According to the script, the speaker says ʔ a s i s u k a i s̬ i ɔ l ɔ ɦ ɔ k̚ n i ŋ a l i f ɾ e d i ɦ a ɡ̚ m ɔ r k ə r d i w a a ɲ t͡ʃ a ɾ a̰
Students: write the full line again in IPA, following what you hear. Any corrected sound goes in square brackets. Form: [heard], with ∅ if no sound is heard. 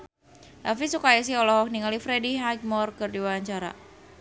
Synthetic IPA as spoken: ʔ a [f] i s u k a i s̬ i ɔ l ɔ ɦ ɔ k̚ n i ŋ a l i f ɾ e d i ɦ a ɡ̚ m ɔ r k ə r d i w a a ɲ t͡ʃ a ɾ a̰